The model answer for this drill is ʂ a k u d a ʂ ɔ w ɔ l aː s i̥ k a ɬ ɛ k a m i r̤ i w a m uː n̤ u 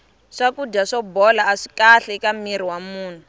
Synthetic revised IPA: ʂ a k u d a ʂ ɔ b ɔ l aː ʂ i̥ k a ɬ ɛ k a m i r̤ i w a m uː n̤ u